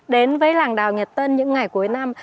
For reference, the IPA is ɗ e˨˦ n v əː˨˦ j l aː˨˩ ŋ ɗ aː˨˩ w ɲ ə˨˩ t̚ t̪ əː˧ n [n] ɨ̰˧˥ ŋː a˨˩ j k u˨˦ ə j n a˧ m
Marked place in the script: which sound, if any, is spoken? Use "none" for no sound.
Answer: ɲ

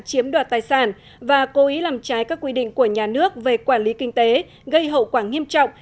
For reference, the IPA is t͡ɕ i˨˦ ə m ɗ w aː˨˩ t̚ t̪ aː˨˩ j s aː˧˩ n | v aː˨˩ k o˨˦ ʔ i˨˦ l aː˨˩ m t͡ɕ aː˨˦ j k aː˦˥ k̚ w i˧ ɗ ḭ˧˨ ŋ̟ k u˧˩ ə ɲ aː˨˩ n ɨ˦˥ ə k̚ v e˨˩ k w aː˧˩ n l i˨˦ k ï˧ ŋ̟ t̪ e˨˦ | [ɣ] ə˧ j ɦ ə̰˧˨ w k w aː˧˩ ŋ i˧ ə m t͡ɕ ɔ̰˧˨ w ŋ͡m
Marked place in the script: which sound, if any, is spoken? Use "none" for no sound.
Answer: ɣ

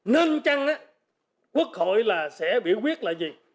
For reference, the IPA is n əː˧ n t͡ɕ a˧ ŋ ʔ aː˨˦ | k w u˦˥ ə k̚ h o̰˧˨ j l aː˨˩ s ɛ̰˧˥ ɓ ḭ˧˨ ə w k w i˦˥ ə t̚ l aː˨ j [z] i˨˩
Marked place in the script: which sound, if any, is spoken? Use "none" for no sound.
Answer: z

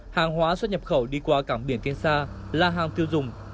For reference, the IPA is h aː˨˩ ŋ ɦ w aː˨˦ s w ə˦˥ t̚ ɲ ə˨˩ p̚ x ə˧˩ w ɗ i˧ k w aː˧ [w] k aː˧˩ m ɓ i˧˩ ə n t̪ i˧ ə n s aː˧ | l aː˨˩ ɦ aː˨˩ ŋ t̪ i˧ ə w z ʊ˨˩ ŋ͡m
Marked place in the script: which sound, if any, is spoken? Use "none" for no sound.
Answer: none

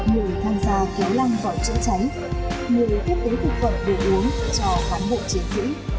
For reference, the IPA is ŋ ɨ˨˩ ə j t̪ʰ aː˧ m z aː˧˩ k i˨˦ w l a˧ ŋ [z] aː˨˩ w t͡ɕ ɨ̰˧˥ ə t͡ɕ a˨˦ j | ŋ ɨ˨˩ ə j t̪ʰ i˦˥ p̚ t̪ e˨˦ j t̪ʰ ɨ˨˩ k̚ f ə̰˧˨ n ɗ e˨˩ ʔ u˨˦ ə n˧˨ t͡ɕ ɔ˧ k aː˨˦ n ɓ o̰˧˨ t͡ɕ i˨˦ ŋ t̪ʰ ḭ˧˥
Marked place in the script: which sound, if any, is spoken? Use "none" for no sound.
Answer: v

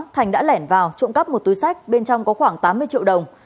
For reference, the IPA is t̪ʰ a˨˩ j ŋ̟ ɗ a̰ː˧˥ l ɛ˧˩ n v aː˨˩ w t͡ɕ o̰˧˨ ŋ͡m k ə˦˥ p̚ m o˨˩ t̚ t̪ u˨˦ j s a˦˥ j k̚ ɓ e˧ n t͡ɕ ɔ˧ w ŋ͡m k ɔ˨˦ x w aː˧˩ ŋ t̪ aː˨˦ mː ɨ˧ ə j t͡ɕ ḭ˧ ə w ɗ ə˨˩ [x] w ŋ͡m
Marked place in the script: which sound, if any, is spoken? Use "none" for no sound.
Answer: none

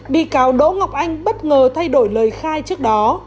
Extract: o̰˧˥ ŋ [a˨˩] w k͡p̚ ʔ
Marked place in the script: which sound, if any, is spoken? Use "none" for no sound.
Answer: a˨˩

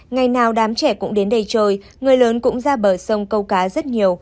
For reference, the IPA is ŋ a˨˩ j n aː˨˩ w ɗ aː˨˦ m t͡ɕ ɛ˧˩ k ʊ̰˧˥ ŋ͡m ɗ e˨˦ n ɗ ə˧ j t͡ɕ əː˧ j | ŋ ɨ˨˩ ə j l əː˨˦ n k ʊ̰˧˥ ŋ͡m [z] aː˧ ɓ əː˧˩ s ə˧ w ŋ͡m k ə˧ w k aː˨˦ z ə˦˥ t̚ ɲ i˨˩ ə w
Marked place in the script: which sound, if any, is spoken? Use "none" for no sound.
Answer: z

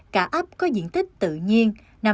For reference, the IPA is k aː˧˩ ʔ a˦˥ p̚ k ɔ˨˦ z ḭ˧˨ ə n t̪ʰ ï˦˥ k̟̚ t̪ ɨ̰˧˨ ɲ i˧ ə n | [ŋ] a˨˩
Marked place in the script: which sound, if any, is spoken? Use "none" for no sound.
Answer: n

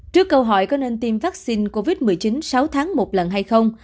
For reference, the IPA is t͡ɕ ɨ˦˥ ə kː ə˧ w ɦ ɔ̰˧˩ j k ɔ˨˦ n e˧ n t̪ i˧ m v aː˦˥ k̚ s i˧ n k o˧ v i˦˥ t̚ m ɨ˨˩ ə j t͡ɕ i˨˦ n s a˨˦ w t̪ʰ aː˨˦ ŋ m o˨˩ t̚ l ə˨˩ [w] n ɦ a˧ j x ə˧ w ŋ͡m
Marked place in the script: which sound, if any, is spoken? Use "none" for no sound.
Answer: none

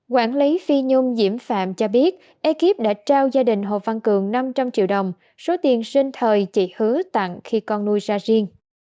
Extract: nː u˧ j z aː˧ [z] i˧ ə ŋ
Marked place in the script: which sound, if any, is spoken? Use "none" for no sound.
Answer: z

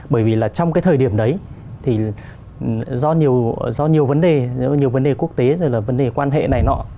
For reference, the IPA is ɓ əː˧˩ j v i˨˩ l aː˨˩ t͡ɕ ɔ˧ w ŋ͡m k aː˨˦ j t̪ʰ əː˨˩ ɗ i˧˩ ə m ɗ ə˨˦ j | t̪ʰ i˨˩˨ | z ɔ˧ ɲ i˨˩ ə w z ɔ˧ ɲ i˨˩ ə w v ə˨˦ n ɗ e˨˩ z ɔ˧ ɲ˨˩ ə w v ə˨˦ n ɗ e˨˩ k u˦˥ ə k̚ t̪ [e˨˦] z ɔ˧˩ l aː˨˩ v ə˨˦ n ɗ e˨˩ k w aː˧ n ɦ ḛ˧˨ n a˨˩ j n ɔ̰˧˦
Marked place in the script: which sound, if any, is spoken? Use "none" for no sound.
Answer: e˨˦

